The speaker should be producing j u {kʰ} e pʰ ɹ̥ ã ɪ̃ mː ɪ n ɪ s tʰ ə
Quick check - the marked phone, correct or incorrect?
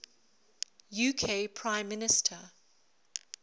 correct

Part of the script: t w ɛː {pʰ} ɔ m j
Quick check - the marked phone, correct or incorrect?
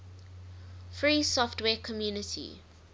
incorrect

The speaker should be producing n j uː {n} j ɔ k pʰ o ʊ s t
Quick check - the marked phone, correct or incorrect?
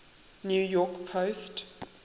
incorrect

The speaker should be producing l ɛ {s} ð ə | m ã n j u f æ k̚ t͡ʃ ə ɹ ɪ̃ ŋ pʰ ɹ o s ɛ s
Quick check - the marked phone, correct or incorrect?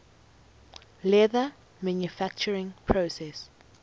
incorrect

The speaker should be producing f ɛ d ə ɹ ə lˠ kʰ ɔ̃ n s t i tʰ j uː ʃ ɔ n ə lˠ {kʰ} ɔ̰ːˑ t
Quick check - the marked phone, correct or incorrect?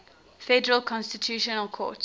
correct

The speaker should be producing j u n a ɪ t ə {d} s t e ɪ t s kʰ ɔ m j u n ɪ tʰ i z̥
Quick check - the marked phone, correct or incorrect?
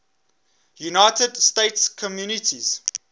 correct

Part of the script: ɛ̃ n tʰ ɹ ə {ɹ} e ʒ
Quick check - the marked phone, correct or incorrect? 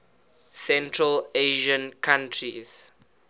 incorrect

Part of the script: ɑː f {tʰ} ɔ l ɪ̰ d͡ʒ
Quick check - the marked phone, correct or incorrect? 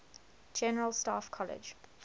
incorrect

